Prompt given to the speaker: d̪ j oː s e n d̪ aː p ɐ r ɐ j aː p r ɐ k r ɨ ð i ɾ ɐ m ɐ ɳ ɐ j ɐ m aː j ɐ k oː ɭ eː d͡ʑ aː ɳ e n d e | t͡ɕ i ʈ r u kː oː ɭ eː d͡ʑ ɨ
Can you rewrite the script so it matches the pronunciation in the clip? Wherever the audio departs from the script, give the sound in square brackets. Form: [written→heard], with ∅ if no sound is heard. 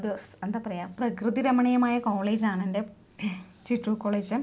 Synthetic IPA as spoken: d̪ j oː s e n d̪ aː p ɐ r ɐ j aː p r ɐ k r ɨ ð i ɾ ɐ m ɐ ɳ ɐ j ɐ m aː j ɐ k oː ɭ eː d͡ʑ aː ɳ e n d e | t͡ɕ i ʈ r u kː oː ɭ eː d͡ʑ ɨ